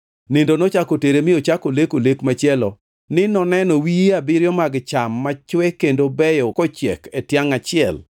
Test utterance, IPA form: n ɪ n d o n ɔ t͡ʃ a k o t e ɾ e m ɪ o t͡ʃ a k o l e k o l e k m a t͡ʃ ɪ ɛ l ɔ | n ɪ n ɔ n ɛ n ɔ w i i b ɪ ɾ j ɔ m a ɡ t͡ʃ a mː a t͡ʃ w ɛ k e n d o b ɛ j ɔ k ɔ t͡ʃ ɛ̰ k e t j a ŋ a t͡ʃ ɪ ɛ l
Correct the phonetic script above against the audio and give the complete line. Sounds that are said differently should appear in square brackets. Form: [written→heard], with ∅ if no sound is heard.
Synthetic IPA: n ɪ n d o n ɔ t͡ʃ a k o t e ɾ e m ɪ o t͡ʃ a k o l e k o l e k m a t͡ʃ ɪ ɛ l ɔ | n ɪ n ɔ n ɛ n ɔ w i [i→a] b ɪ ɾ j ɔ m a ɡ t͡ʃ a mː a t͡ʃ w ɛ k e n d o b ɛ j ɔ k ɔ t͡ʃ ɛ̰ k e t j a ŋ a t͡ʃ ɪ ɛ l